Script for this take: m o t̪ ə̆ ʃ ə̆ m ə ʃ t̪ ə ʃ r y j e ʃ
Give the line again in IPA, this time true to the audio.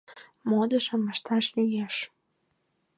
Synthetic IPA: m o d̪ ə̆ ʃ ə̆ m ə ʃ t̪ ɑ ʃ l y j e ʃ